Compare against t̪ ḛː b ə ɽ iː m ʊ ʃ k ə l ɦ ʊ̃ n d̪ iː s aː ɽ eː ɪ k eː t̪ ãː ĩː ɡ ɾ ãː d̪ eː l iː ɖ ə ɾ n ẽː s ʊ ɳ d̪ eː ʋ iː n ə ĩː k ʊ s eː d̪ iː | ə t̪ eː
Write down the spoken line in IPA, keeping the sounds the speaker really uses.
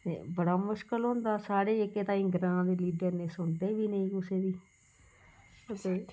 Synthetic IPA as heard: t̪ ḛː b ə ɽ aː m ʊ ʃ k ə l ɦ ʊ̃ n d̪ aː s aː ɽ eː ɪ k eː t̪ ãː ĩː ɡ ɾ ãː d̪ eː l iː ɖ ə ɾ n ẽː s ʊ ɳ d̪ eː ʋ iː n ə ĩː k ʊ s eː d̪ iː | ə t̪ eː

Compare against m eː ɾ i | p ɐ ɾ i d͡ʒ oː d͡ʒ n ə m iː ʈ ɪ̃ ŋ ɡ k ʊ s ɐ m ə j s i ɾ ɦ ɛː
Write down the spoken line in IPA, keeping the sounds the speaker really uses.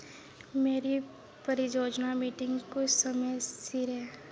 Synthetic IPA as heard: m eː ɾ i | p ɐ ɾ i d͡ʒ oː d͡ʒ n a m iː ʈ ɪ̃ ŋ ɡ k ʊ s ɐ m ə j s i ɾ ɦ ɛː

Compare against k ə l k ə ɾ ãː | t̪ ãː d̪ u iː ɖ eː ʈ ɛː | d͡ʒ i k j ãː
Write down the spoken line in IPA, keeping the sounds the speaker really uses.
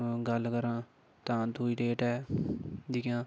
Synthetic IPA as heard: ɡ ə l k ə ɾ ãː | t̪ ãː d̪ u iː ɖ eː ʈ ɛː | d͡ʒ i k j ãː

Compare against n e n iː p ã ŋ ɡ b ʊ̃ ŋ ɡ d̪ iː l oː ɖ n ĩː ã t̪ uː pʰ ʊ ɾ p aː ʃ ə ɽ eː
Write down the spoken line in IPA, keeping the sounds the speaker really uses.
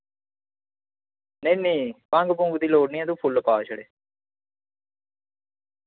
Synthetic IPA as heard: n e n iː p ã ŋ ɡ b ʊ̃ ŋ ɡ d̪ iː l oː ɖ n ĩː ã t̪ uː pʰ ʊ l p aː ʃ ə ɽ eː

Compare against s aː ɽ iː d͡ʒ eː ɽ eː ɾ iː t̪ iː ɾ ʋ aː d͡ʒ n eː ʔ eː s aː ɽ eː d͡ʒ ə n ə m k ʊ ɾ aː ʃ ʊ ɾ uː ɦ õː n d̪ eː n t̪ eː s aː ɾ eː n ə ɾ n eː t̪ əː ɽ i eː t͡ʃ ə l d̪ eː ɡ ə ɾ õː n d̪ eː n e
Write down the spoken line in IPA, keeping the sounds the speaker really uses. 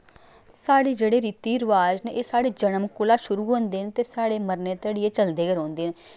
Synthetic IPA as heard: s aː ɽ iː d͡ʒ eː ɽ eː ɾ iː t̪ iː ɾ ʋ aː d͡ʒ n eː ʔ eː s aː ɽ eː d͡ʒ ə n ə m k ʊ l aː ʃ ʊ ɾ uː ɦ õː n d̪ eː n t̪ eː s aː ɽ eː m ə ɾ n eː t̪ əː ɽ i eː t͡ʃ ə l d̪ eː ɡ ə ɾ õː n d̪ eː n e

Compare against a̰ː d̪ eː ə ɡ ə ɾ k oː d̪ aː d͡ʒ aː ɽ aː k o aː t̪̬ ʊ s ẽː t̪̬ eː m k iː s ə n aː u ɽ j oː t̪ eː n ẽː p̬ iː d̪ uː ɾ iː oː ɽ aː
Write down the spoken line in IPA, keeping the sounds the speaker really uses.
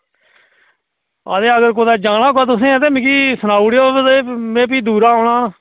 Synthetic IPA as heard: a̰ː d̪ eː ə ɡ ə ɾ k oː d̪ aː d͡ʒ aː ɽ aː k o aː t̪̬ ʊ s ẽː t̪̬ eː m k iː s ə n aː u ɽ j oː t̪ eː m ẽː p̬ iː d̪ uː ɾ aː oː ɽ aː

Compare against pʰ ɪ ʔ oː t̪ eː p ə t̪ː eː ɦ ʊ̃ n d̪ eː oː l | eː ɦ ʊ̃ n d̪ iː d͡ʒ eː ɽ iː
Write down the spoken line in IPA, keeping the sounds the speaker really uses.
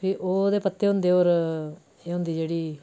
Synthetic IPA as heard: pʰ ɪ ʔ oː d̪ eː p ə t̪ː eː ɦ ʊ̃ n d̪ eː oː ɾ | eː ɦ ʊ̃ n d̪ iː d͡ʒ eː ɽ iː

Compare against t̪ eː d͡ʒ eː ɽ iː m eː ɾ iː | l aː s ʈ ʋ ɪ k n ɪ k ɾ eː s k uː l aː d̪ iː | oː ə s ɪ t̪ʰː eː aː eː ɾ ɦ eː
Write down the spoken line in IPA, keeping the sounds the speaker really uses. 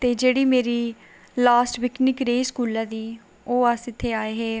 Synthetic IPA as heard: t̪ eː d͡ʒ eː ɽ iː m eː ɾ iː | l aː s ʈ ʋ ɪ k n ɪ k ɾ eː s k uː l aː d̪ iː | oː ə s ɪ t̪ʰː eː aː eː ɦ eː

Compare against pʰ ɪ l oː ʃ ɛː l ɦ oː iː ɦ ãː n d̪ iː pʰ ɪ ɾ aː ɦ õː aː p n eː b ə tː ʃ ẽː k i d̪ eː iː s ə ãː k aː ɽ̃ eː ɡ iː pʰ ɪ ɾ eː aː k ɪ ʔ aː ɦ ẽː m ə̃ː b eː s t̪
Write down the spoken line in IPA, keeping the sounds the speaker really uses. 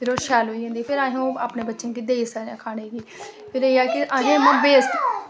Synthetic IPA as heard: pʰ ɪ ɾ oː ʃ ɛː l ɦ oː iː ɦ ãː n d̪ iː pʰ ɪ ɾ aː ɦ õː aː p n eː b ə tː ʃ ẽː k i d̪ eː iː s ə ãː kʰ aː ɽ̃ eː ɡ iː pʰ ɪ ɾ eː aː k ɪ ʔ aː ɦ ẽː m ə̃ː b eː s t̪

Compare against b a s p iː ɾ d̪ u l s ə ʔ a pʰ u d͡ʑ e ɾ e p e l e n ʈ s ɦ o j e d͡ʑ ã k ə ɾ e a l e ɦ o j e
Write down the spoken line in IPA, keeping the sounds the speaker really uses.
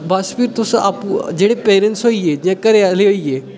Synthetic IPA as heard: b a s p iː ɾ t̪ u s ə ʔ a p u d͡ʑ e ɽ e p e ɾ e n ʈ s ɦ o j e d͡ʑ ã k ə ɾ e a l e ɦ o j e

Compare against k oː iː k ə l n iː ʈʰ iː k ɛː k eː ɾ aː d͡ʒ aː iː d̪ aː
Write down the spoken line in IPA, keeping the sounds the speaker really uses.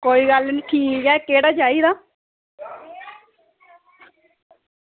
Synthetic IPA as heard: k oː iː ɡ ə l n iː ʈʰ iː k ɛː k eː ɽ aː d͡ʒ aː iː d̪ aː

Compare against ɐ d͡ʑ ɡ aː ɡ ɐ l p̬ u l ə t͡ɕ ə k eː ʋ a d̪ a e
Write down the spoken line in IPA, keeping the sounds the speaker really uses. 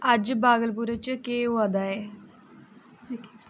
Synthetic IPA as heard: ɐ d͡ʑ b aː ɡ ə l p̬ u ɾ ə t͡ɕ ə k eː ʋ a d̪ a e

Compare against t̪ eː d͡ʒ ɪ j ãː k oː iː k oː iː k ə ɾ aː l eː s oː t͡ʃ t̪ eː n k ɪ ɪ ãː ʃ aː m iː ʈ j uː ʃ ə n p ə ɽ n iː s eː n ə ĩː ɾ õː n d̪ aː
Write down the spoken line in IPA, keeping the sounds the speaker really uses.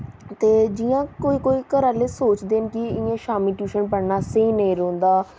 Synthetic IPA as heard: t̪ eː d͡ʒ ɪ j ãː k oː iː k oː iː k ə ɾ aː l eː s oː t͡ʃ d̪ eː n k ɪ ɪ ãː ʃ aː m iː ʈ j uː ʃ ə n p ə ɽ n aː s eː n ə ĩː ɾ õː n d̪ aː

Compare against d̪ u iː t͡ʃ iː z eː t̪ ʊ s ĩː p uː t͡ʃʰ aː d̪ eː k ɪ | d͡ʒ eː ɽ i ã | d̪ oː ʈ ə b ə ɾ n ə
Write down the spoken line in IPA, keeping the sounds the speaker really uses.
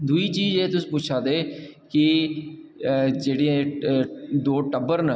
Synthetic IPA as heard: d̪ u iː t͡ʃ iː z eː t̪ ʊ s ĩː p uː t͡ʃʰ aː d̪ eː k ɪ | d͡ʒ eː ɽ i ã | d̪ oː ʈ ə b ə ɾ n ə

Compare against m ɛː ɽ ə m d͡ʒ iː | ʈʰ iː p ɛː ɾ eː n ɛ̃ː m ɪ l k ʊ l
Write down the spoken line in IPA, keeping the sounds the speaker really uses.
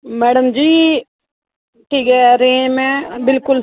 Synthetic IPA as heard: m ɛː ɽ ə m d͡ʒ iː | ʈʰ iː k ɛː ɾ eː m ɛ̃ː b ɪ l k ʊ l

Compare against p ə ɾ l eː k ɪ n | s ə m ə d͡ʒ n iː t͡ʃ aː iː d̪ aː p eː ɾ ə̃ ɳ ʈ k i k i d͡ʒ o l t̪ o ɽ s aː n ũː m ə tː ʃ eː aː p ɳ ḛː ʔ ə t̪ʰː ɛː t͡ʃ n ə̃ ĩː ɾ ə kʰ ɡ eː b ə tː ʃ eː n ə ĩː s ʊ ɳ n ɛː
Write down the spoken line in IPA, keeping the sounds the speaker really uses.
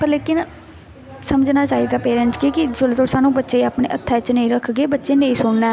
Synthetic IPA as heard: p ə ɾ l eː k ɪ n | s ə m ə d͡ʒ n aː t͡ʃ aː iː d̪ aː p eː ɾ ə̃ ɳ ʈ k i k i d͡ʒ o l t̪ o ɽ s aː n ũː b ə tː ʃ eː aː p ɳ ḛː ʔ ə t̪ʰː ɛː t͡ʃ n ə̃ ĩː ɾ ə kʰ ɡ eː b ə tː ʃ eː n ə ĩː s ʊ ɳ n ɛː

